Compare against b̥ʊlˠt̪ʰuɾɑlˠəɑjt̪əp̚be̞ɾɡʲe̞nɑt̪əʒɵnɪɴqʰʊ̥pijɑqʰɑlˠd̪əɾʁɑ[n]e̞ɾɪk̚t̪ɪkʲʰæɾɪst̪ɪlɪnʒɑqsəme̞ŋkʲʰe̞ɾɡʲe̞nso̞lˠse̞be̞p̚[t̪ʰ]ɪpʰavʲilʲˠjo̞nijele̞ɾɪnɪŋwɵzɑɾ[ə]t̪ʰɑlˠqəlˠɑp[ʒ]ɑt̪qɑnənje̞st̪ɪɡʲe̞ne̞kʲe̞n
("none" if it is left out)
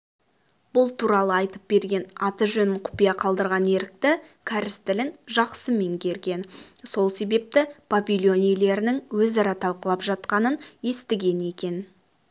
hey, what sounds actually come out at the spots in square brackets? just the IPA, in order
n, t̪, ɑ, ʒ

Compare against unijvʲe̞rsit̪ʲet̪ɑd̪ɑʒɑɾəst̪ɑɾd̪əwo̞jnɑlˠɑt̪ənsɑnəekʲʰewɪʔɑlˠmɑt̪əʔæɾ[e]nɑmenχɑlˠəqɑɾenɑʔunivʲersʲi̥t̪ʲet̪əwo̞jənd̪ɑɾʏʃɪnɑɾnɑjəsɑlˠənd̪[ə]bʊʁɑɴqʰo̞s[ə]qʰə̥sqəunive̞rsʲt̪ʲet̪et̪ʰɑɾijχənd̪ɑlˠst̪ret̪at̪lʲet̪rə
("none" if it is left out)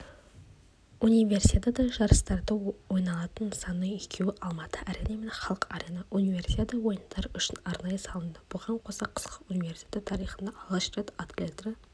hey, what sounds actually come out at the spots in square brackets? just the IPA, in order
e, ə, ɑ

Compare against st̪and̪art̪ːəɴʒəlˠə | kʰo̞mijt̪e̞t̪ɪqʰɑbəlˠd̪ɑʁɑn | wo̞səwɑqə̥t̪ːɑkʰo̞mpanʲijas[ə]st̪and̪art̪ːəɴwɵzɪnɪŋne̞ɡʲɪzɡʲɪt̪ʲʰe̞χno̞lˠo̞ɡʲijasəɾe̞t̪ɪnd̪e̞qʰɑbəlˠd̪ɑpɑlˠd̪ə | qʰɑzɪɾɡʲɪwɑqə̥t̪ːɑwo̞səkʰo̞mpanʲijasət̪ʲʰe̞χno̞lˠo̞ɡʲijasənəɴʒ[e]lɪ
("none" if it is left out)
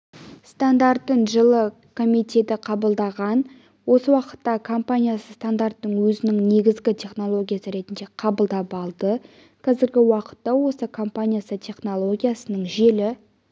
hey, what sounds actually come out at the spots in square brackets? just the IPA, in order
ə, e

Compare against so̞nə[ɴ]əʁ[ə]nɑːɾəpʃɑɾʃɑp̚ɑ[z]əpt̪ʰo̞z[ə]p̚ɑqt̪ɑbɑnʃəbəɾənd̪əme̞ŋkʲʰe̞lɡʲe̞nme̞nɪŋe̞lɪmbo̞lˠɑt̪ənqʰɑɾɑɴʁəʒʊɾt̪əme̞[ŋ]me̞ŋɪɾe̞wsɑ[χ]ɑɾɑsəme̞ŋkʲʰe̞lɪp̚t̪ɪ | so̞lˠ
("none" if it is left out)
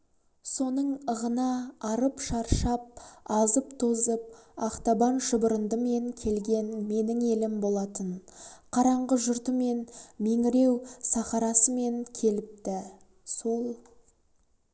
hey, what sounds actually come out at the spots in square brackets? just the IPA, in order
ɴ, ə, z, ə, n, χ

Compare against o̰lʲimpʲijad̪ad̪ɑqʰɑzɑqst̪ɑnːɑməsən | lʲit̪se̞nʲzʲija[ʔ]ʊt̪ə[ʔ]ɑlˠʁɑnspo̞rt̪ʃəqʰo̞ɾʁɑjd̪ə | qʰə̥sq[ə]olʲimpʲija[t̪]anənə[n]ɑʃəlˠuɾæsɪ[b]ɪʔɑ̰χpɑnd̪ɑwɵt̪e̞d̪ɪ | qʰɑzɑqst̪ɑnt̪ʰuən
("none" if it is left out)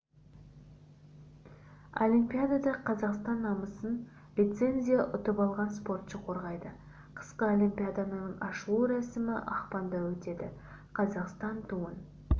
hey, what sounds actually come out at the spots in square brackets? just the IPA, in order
ʔ, p, ə, d̪, ɴ, m

